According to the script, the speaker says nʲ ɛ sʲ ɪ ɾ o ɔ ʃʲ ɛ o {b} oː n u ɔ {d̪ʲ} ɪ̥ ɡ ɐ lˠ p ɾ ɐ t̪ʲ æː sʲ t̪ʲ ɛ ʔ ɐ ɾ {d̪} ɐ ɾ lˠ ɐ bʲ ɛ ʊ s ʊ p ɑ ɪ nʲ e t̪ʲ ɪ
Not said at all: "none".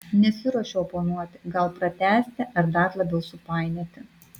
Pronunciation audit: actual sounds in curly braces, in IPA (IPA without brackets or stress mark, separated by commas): p, t̪ʲ, d̪